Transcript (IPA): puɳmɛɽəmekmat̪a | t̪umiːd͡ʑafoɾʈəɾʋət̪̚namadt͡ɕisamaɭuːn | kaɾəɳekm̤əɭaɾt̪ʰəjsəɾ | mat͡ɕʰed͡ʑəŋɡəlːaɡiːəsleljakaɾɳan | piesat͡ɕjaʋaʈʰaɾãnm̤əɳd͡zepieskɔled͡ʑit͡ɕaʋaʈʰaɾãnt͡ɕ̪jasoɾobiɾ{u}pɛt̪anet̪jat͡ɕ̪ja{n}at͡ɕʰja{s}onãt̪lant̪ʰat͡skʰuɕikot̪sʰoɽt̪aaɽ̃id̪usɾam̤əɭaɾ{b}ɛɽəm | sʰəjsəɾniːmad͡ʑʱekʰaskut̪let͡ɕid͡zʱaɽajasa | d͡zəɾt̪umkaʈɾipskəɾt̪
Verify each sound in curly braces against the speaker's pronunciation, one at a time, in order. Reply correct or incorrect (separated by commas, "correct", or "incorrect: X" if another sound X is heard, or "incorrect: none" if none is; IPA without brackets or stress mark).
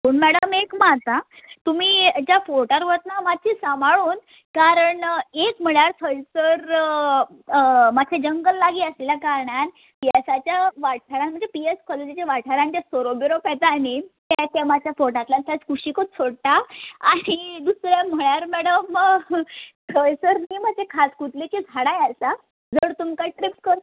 incorrect: o, incorrect: m, incorrect: f, incorrect: m